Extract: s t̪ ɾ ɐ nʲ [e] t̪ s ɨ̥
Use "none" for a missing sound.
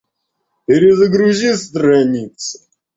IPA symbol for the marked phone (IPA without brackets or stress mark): i